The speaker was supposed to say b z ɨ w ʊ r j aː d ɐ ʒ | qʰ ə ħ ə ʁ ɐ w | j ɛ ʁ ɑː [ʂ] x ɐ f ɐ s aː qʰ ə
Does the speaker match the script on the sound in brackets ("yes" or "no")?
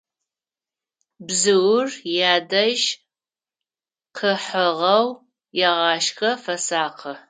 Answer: no